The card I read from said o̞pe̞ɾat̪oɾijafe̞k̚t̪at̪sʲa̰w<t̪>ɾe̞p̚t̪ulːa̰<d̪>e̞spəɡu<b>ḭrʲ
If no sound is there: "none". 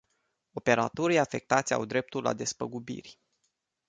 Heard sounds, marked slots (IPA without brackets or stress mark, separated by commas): d̪, d̪, b